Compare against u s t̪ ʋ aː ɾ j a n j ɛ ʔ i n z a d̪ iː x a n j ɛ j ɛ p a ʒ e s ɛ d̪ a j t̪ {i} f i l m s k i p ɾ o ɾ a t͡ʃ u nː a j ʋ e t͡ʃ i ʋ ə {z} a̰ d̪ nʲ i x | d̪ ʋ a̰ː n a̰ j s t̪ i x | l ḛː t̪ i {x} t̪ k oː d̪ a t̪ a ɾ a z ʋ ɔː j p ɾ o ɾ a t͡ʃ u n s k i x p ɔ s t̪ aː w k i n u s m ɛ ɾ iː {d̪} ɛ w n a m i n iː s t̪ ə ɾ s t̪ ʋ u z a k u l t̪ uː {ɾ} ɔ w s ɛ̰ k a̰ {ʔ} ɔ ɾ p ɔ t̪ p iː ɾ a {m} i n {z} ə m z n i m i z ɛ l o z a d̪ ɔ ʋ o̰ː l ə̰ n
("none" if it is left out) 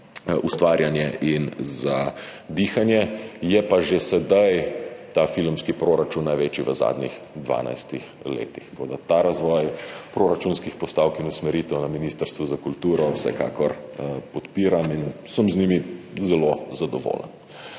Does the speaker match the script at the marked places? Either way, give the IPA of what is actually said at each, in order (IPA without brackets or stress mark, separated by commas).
a, z, x, t̪, ɾ, k, m, s